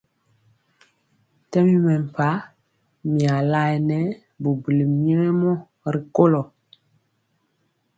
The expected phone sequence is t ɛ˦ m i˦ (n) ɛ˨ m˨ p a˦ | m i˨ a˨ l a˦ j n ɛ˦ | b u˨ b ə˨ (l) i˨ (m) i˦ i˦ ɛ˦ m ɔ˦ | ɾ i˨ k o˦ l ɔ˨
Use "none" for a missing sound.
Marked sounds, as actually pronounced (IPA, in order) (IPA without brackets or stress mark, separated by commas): m, l, m